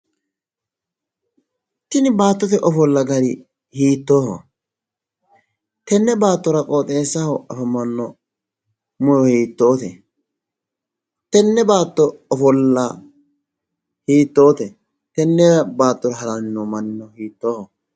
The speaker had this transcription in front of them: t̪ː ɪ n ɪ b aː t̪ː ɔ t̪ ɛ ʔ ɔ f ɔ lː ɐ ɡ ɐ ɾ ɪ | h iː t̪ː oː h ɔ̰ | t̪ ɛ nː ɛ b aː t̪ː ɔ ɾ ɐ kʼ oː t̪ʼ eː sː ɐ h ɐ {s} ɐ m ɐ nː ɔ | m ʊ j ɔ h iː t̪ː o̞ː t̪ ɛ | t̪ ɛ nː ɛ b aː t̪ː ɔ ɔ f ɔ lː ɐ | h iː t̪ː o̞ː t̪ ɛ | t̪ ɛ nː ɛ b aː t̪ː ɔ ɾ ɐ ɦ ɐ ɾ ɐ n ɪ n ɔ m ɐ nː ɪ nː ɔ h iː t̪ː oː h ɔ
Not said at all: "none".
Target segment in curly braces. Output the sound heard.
f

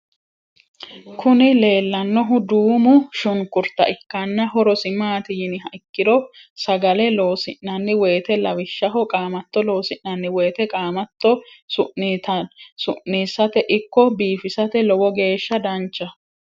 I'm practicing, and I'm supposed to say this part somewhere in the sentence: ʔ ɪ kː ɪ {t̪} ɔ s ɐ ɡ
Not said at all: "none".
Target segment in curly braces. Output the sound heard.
d̪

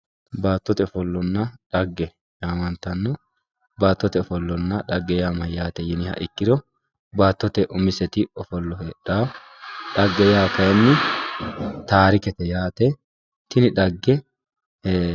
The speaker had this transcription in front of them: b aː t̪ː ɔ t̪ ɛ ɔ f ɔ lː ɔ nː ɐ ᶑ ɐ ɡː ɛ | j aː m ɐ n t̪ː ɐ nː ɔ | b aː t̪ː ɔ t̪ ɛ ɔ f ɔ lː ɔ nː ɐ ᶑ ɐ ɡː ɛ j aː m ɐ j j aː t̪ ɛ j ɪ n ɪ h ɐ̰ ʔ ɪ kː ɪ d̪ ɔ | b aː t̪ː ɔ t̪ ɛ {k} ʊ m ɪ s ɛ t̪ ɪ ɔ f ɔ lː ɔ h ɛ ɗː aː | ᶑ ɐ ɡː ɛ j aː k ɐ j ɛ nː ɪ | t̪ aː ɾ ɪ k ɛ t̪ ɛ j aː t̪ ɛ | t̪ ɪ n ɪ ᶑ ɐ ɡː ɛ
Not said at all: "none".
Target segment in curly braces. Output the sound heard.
ʔ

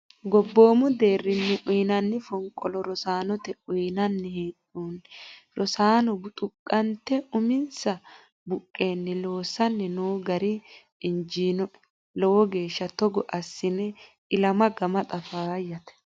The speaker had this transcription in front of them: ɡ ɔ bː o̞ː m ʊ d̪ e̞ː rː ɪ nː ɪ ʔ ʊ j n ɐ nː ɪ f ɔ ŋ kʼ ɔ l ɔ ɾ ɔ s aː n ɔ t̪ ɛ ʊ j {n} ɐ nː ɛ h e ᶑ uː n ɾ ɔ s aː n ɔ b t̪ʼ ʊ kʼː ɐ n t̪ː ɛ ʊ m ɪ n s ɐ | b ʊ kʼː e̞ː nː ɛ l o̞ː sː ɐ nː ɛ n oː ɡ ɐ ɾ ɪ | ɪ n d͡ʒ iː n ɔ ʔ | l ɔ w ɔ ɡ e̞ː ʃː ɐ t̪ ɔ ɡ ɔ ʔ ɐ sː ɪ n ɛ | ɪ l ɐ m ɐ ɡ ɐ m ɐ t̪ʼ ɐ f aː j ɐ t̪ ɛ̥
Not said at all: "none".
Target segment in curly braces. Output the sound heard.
n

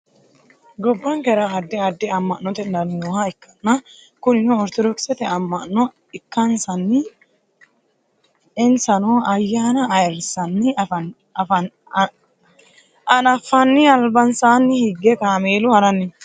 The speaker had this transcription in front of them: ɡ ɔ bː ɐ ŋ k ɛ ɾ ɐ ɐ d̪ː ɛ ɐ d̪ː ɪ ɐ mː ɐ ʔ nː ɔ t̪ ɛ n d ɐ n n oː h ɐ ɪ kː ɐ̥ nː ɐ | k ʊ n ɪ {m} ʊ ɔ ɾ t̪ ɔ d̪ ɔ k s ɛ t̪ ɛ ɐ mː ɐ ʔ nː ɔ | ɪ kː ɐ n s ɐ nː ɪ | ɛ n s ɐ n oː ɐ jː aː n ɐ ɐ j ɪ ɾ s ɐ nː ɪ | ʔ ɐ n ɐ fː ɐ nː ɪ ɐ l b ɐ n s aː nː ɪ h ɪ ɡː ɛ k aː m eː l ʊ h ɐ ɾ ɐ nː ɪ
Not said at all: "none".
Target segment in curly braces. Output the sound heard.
n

